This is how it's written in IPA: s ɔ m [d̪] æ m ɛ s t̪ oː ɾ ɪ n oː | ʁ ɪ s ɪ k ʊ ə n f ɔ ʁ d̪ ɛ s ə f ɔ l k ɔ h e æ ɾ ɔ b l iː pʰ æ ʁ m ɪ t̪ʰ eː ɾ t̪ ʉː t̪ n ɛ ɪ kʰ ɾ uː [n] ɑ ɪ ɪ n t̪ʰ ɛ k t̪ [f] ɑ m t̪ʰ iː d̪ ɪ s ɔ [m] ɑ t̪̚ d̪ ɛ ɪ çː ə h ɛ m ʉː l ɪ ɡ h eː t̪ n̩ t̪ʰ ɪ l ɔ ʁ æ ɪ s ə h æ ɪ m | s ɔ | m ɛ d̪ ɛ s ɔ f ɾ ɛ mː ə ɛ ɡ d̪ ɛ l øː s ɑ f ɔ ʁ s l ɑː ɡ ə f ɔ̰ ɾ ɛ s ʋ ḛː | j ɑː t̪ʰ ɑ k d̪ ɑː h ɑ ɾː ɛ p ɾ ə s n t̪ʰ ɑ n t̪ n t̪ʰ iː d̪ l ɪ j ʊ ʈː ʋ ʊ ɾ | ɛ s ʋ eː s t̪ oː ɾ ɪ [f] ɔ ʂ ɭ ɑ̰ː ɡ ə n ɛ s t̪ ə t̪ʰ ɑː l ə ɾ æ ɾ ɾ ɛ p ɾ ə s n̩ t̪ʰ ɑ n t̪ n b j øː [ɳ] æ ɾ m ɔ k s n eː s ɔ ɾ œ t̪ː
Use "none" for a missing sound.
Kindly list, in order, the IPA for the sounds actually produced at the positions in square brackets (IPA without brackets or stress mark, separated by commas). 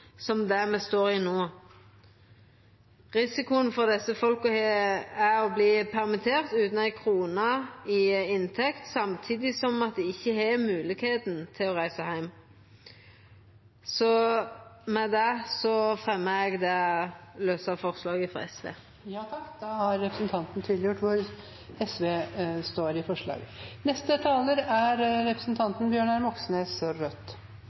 d̪, n, s, m, f, ɳ